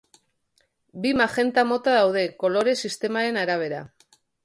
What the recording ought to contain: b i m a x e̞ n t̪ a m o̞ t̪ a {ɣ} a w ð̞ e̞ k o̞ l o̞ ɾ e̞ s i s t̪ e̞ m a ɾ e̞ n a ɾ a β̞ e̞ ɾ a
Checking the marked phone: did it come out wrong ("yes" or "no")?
yes